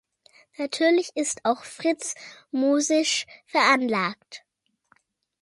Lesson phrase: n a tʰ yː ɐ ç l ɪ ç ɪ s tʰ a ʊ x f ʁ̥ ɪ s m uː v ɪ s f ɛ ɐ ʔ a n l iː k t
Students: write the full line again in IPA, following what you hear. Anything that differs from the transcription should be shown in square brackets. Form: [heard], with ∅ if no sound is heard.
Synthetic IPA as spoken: n a tʰ yː ɐ [∅] l ɪ ç ɪ s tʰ a ʊ x f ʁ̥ ɪ [t͡s] m uː [z] ɪ [ʃ] f ɛ ɐ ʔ a n l [aː] k t